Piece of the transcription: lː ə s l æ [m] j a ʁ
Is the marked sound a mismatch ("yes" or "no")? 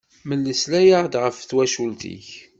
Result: yes